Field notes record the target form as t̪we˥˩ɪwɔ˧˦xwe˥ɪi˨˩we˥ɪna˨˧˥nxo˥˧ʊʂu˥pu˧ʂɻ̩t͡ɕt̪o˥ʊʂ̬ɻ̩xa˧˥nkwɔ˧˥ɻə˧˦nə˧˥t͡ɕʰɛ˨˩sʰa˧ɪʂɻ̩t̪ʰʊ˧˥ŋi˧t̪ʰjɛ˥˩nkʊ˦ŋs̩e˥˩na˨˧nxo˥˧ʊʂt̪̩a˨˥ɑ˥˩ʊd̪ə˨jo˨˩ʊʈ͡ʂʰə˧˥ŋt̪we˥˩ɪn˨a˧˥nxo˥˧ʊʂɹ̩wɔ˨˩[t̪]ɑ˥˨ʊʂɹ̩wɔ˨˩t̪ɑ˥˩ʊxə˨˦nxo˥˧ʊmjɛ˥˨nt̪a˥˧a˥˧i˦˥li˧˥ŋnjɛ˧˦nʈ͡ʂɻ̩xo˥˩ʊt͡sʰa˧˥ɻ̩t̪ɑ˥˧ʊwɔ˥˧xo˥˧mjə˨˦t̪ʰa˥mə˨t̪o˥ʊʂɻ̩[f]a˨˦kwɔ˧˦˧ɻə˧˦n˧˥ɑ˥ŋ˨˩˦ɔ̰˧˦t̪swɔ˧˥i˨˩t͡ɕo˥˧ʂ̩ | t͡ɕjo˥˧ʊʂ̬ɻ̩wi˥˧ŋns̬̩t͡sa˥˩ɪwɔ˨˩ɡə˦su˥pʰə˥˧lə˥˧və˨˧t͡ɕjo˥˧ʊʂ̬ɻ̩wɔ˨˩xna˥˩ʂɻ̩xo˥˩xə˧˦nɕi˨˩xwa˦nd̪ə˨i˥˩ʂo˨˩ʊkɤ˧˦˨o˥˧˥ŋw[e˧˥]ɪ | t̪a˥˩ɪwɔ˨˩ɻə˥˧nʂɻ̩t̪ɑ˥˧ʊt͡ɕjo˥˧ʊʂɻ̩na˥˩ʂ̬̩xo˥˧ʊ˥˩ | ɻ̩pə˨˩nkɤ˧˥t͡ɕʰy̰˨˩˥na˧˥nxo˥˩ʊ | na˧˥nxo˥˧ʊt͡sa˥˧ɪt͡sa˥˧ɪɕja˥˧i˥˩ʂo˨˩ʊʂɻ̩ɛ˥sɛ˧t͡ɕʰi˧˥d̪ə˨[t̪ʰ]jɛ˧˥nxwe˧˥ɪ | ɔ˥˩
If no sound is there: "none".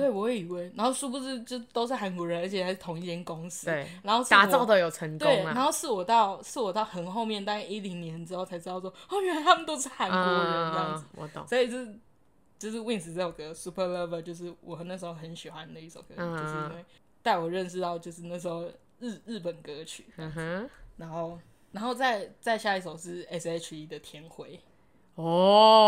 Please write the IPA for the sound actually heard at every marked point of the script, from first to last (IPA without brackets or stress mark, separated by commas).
t̪, x, e˥˩, t̪ʰ